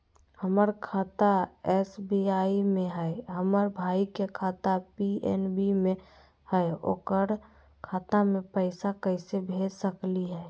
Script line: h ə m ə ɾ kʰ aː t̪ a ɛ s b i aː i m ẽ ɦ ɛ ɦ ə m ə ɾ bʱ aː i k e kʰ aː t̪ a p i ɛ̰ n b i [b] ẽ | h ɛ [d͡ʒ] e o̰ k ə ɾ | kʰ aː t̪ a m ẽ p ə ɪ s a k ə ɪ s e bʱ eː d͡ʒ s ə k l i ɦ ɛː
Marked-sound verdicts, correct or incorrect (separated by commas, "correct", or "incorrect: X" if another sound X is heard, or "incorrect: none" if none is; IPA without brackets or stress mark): incorrect: m, incorrect: none